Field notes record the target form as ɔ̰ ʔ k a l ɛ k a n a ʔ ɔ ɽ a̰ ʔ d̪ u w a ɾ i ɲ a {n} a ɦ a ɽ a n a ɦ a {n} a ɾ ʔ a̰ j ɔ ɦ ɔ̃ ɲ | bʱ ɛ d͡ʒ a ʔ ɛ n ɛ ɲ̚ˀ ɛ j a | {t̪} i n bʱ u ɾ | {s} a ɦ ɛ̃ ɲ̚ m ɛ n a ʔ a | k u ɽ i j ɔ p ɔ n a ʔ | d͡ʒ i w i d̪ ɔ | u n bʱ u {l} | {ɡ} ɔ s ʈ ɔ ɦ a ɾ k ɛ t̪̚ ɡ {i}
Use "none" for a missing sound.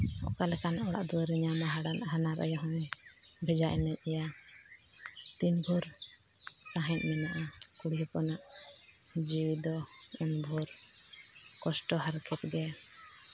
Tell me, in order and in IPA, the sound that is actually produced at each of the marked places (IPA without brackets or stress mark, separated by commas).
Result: m, n, t̪, s, ɾ, k, ɛ